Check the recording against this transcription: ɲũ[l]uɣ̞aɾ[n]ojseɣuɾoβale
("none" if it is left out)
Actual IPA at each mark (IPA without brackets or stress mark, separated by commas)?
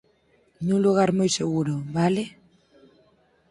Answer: l, m